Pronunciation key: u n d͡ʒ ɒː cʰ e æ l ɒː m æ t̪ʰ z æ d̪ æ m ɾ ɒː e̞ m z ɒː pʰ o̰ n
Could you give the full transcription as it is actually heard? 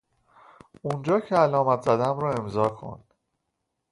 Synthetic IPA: u n d͡ʒ ɒː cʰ e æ l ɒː m æ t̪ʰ z æ d̪ æ m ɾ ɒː e̞ m z ɒː kʰ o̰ n